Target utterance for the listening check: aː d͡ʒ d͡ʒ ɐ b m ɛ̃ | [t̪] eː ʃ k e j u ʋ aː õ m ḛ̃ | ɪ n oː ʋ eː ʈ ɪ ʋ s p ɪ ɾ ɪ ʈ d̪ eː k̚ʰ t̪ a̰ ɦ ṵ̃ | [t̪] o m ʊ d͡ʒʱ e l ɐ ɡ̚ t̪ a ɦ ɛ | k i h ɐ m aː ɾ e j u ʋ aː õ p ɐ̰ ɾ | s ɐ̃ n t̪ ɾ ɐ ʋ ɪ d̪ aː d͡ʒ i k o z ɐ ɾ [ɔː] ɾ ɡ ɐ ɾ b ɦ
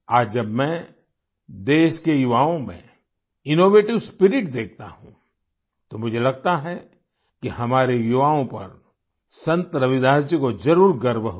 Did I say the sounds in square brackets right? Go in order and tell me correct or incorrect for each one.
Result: incorrect: d̪, correct, incorrect: uː

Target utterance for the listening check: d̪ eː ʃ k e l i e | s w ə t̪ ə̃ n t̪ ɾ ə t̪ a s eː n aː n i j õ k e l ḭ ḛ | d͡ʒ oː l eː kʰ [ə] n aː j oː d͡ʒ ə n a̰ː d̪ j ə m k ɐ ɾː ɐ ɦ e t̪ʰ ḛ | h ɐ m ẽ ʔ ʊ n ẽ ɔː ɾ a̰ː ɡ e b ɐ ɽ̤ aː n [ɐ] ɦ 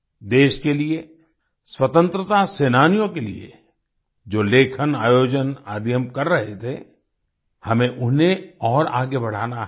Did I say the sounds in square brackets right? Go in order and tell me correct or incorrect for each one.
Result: correct, incorrect: a

